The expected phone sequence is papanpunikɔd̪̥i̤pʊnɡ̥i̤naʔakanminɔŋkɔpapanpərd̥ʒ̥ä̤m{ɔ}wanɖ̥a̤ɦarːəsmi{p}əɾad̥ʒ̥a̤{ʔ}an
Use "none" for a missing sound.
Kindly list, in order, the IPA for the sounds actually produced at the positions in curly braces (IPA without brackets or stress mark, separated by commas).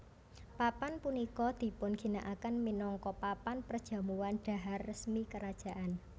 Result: u, k, ʔ